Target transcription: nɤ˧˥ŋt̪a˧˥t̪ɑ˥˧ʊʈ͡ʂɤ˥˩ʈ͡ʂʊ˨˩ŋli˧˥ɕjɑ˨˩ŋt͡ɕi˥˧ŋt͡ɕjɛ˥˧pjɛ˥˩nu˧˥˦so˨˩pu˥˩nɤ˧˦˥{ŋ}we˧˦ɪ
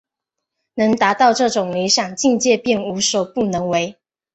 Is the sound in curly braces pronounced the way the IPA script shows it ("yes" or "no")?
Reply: yes